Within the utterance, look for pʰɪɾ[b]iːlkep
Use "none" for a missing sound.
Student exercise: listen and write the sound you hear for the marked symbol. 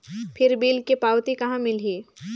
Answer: b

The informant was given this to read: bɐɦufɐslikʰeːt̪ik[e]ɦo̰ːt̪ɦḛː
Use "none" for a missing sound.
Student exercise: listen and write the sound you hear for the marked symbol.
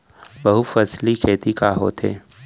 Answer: a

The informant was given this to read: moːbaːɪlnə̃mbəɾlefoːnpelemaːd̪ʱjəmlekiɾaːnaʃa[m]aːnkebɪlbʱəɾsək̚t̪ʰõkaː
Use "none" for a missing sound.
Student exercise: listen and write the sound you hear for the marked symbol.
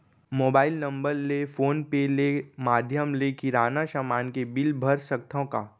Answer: m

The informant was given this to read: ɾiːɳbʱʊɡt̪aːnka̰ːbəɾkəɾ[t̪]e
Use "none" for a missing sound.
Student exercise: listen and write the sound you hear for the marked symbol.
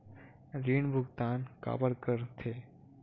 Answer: t̪ʰ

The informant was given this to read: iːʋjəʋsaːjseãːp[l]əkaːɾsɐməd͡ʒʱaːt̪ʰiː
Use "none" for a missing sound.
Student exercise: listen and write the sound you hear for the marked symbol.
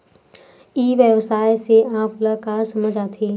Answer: l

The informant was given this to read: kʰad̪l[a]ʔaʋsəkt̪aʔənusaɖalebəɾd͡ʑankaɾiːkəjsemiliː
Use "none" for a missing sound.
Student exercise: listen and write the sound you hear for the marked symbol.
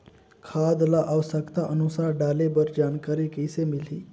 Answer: a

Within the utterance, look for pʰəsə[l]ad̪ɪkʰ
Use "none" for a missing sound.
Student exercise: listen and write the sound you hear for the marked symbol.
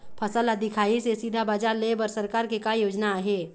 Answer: l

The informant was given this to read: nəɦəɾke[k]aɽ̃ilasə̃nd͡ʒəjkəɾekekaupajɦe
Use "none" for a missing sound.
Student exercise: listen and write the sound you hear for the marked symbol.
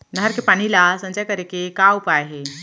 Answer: p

